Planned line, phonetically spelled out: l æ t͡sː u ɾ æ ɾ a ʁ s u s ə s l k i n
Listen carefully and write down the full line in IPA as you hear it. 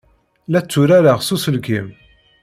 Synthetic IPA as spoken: l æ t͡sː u ɾ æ ɾ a ʁ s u s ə l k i m

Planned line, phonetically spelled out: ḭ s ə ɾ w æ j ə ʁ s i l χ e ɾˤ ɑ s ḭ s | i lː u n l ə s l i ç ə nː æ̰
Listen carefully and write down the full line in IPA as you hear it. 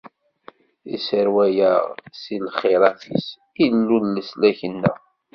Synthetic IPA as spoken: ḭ s ə ɾ w æ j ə ʁ s i l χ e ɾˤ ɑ θ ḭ s | i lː u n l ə s l æ ç ə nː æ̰

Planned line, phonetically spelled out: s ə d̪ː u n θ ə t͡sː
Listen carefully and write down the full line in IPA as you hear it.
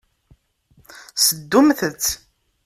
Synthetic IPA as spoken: s ə d̪ː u m θ ə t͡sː

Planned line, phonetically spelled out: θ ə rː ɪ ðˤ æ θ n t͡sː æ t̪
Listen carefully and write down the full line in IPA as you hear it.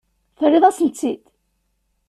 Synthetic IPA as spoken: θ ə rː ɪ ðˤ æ s n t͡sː i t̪

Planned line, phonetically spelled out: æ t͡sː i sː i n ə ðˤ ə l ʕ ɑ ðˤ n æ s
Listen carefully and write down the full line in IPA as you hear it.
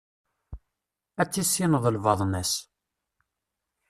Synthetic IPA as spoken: æ t͡sː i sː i n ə ðˤ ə l v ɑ ðˤ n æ s

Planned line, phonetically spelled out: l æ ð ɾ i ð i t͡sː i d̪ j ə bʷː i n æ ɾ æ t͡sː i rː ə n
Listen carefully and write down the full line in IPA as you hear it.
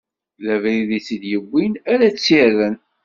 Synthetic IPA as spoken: l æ v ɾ i ð i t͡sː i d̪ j ə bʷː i n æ ɾ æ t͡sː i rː ə n

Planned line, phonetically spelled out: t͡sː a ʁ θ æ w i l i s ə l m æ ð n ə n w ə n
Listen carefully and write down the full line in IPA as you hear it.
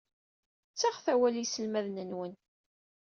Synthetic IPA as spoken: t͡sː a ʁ θ æ w æ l i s ə l m æ ð n ə n w ə n

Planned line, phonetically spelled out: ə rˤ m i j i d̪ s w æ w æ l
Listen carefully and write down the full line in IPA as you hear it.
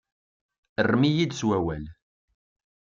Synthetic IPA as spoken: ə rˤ m i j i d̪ s w æ w æ l

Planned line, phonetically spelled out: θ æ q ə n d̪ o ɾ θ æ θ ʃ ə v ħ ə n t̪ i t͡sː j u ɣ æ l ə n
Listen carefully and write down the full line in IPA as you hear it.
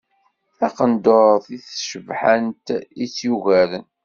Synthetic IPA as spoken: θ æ q ə n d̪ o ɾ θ i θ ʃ ə v ħ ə n t̪ i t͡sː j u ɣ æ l ə n

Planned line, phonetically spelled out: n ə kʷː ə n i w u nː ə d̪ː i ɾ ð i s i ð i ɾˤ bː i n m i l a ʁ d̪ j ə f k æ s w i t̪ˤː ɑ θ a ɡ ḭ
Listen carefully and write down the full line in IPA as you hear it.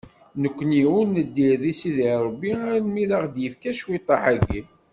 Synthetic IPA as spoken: n ə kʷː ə n i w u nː ə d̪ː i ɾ ð i s i ð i ɾˤ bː i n m i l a ʁ d̪ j ə f k æ ʃ w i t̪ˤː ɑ ħ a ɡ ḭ

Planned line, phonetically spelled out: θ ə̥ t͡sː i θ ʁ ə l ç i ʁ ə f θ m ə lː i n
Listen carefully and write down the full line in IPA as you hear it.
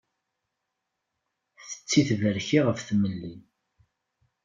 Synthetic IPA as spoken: θ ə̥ t͡sː i θ v ə ɾ ç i ʁ ə f θ m ə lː i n

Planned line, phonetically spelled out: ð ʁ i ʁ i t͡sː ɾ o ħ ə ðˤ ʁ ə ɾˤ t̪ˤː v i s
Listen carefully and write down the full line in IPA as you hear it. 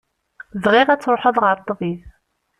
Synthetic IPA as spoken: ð ʁ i ʁ æ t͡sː ɾ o ħ ə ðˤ ʁ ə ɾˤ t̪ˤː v i θ

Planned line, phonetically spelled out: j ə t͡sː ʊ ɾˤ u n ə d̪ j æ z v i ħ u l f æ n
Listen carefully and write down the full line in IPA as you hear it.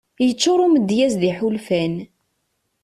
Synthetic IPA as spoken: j ə t͡sː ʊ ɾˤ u m ə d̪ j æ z ð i ħ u l f æ n

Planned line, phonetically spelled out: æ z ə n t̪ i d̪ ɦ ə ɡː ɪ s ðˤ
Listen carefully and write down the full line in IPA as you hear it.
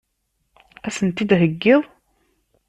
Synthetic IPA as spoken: æ s ə n t̪ i d̪ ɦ ə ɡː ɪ ðˤ

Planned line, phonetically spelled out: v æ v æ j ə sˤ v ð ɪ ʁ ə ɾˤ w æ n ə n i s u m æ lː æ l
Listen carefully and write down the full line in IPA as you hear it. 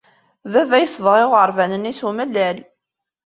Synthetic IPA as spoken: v æ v æ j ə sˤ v ʁ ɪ ʁ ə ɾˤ v æ n ə n i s u m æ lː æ l

